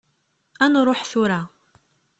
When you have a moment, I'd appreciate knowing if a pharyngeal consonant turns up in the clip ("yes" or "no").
yes